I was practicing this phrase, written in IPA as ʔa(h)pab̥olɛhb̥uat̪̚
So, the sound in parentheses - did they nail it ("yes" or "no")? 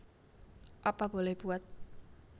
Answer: no